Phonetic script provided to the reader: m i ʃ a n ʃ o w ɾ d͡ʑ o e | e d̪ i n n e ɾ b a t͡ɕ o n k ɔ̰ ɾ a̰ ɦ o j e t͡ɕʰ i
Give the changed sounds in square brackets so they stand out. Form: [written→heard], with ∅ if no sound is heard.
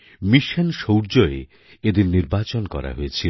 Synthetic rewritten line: m i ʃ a n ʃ o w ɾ d͡ʑ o e | e d̪ i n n [e→i] ɾ b a t͡ɕ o n k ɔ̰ ɾ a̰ ɦ o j e t͡ɕʰ i